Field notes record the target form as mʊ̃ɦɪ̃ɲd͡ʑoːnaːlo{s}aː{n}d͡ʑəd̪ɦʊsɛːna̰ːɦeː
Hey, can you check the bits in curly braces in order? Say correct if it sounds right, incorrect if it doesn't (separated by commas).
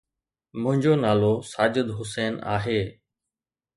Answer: correct, incorrect